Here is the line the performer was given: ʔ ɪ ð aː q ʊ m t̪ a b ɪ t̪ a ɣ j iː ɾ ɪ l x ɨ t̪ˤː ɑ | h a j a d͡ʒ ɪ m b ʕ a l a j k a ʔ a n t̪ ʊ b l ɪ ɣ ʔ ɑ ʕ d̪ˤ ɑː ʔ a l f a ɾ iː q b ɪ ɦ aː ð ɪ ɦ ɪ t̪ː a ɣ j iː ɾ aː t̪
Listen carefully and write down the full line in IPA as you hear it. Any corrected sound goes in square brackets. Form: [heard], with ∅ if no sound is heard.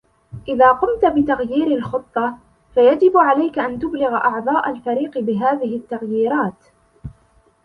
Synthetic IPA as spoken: ʔ ɪ ð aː q ʊ m t̪ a b ɪ t̪ a ɣ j iː ɾ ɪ l x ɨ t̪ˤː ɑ | [f] a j a d͡ʒ ɪ [∅] b ʕ a l a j k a ʔ a n t̪ ʊ b l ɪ ɣ ʔ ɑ ʕ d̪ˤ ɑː ʔ a l f a ɾ iː q b ɪ ɦ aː ð ɪ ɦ ɪ t̪ː a ɣ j iː ɾ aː t̪